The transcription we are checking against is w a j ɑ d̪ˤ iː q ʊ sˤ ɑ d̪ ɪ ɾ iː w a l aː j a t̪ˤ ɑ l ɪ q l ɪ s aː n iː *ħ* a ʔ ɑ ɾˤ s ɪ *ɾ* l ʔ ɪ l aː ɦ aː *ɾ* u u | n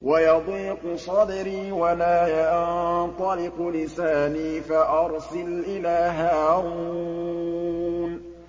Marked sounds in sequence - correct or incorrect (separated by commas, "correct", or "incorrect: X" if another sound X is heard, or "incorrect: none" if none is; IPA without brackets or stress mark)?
incorrect: f, incorrect: none, correct